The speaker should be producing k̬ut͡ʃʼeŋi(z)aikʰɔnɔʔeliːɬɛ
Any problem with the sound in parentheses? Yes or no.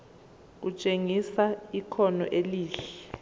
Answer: yes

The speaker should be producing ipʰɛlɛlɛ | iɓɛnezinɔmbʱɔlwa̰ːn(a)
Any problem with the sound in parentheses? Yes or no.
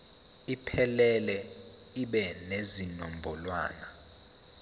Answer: no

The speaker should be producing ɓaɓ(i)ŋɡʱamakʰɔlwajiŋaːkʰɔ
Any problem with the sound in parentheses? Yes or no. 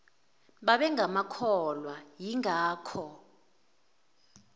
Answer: yes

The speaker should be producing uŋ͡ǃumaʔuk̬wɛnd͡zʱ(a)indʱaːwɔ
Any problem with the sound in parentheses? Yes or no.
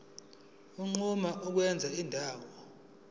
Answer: no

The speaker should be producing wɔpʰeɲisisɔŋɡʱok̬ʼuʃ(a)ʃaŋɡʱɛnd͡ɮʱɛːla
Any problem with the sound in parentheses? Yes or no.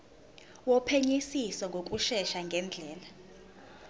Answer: yes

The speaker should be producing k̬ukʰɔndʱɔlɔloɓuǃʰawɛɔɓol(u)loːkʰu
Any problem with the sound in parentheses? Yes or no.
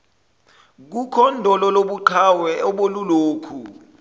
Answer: no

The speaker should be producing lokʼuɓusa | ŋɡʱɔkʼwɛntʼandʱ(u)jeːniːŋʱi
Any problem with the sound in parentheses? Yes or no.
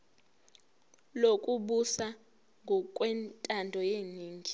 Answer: yes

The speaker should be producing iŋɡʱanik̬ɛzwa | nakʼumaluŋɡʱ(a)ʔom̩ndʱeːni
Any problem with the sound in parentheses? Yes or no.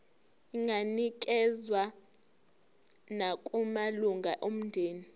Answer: no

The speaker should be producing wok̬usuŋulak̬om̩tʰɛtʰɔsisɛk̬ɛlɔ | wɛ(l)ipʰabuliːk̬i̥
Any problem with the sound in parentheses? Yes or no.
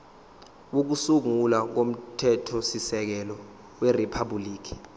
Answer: yes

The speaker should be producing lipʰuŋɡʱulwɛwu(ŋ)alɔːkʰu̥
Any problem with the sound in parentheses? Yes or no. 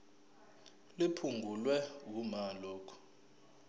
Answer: yes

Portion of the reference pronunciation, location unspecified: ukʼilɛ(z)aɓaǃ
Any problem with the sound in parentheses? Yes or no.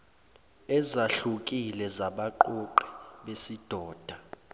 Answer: no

